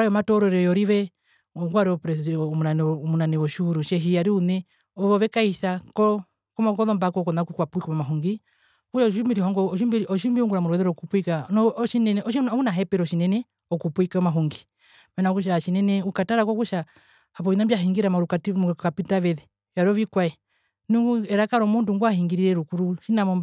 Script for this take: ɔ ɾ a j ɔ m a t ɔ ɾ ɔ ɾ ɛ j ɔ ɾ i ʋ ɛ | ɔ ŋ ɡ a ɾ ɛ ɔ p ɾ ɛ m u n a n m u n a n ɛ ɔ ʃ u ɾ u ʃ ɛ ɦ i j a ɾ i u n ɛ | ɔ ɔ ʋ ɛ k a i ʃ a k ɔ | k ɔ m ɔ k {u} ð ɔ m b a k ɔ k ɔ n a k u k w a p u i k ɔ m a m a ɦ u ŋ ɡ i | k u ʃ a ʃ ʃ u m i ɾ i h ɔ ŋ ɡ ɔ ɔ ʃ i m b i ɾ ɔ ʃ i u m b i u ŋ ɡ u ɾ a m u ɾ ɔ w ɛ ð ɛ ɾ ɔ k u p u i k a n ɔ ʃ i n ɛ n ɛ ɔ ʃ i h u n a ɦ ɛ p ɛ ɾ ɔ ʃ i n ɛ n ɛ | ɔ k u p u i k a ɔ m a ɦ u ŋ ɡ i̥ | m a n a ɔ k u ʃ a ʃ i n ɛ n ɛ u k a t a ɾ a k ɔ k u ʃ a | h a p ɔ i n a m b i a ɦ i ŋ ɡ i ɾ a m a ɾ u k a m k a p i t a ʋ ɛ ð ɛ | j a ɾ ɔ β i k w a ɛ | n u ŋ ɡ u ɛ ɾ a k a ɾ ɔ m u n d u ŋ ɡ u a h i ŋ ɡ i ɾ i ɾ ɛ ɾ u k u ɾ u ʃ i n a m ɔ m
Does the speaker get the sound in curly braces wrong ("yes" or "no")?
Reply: yes